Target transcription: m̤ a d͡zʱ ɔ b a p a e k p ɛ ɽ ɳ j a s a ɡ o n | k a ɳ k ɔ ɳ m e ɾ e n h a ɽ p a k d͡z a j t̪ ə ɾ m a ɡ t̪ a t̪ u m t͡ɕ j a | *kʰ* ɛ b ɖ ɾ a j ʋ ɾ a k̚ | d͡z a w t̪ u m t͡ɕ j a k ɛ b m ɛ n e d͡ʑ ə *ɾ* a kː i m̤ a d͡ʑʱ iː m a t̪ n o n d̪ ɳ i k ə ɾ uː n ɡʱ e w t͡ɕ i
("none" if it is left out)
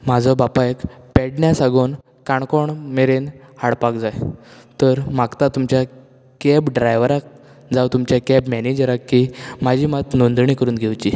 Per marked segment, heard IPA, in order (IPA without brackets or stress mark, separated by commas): k, ɾ